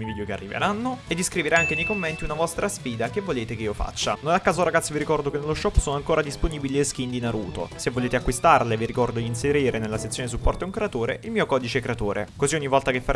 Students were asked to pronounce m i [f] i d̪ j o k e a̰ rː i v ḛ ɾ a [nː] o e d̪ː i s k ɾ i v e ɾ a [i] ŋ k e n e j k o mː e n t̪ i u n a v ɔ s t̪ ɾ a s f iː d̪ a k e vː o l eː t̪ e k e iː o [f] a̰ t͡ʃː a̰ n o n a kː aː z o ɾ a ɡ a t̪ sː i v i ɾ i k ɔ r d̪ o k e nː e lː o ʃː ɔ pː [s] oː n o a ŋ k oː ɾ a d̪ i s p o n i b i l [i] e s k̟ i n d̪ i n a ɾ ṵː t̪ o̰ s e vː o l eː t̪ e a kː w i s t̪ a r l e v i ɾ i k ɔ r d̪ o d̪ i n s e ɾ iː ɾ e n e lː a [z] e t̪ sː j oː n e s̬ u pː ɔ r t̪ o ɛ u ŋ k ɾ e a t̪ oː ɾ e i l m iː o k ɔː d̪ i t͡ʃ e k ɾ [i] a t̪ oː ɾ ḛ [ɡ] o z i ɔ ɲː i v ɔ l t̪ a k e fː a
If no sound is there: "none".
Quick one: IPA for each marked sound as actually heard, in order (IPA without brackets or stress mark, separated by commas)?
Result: v, nː, a, f, s, i, s, e, k